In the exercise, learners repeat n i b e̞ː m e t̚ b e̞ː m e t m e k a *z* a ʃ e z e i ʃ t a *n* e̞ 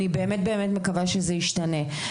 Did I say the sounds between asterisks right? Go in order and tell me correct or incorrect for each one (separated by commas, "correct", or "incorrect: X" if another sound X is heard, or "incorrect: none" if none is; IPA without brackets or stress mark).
incorrect: v, correct